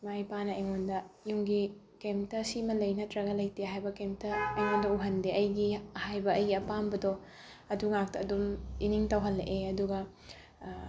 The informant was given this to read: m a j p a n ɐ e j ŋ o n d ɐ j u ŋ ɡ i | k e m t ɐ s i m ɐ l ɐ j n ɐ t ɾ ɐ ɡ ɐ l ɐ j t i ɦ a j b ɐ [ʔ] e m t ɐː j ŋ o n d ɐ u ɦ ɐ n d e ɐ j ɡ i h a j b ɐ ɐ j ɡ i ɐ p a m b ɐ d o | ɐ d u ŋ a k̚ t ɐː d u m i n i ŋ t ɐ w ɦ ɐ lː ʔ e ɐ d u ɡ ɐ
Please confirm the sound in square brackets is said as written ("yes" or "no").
no